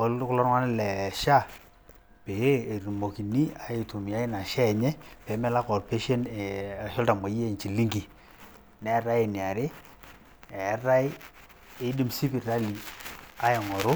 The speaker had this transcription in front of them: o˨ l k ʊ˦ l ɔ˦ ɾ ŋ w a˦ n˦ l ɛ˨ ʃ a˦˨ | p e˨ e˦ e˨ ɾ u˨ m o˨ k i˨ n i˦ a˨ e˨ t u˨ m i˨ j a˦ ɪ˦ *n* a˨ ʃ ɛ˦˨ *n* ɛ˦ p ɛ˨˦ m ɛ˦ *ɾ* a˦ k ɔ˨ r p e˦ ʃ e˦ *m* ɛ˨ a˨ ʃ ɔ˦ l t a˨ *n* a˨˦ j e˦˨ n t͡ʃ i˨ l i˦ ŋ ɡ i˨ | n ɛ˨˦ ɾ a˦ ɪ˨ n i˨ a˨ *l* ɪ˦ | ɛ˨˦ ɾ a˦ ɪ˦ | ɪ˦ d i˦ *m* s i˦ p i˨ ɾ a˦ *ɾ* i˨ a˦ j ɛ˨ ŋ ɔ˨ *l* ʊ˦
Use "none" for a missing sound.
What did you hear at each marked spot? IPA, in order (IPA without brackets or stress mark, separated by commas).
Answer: n, ɲ, l, n, m, ɾ, m, l, ɾ